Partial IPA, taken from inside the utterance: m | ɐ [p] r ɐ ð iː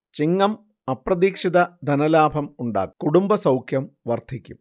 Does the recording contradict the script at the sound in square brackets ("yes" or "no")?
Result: no